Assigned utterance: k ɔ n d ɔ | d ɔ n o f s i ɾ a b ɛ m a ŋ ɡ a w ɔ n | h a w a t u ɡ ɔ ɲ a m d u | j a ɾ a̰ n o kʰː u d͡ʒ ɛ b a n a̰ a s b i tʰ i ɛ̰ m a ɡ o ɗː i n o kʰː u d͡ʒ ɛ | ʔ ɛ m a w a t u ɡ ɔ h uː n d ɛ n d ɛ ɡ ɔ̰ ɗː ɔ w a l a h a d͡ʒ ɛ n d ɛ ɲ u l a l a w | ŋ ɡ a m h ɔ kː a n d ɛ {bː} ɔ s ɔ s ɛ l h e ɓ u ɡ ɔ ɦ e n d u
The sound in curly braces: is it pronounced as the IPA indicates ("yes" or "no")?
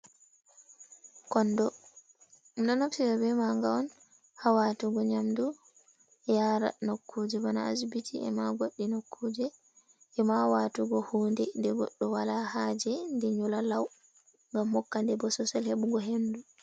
no